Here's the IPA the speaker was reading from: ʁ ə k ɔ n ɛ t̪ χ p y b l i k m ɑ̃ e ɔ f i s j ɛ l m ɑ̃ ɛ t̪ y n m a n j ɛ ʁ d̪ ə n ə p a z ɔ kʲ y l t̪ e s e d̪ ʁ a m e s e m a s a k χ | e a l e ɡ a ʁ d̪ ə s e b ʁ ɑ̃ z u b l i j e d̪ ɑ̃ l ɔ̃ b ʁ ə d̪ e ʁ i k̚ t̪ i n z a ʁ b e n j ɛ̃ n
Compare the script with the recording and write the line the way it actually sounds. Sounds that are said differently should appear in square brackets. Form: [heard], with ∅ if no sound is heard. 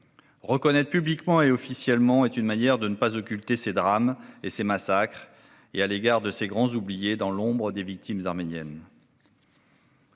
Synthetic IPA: ʁ ə k ɔ n ɛ t̪ χ p y b l i k m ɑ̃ e ɔ f i s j ɛ l m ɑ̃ ɛ t̪ y n m a n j ɛ ʁ d̪ ə n ə p a z ɔ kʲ y l t̪ e s e d̪ ʁ a m e s e m a s a k χ | e a l e ɡ a ʁ d̪ ə s e [ɡ] ʁ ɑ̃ z u b l i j e d̪ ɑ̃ l ɔ̃ b ʁ ə d̪ e [v] i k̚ t̪ i [m] z a ʁ [m] e n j [ɛ] n